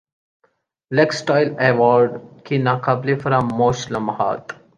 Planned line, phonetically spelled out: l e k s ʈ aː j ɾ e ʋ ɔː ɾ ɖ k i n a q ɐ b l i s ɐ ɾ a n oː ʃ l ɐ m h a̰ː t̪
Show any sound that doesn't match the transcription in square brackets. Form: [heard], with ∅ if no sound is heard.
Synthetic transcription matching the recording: l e k s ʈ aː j [l] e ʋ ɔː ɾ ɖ k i n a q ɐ b l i [f] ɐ ɾ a [m] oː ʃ l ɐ m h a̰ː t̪